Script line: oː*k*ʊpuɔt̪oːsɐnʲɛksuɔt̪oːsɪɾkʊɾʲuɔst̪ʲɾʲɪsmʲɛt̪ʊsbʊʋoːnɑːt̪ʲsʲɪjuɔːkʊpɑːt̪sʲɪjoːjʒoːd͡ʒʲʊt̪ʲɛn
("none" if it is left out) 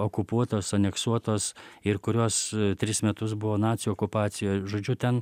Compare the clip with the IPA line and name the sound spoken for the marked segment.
k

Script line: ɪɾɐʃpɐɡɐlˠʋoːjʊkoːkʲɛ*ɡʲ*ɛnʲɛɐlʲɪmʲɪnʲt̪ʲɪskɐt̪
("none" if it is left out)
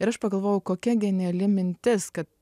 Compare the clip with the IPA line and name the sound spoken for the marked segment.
ɡʲ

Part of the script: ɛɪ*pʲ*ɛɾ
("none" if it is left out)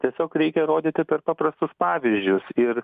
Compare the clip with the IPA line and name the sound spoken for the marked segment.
kʲ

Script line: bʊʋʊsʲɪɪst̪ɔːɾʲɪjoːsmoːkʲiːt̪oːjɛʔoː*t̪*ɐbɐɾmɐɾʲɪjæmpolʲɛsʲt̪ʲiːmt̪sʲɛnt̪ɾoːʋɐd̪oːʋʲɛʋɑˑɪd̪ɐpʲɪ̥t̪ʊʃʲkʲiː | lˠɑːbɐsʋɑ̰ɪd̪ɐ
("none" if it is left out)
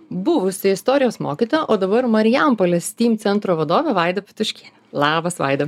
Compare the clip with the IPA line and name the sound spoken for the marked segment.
d̪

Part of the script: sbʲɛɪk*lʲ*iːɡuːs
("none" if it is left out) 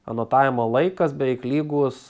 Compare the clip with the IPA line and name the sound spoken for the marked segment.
lʲ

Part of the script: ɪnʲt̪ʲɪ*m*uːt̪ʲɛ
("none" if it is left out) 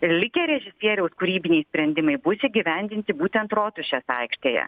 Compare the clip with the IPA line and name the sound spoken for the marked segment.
b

